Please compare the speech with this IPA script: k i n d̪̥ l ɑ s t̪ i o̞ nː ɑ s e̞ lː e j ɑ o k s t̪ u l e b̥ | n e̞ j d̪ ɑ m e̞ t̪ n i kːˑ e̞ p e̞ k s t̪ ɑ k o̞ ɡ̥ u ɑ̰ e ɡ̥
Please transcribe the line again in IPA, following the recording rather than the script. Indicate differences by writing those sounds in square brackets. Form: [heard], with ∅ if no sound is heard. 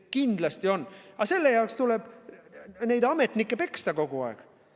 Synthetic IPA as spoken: k i n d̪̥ l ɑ s t̪ i o̞ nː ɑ s e̞ lː e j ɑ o k s t̪ u l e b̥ | n e̞ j d̪ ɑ m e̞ t̪ n i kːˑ e̞ p e̞ k s t̪ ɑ k o̞ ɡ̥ u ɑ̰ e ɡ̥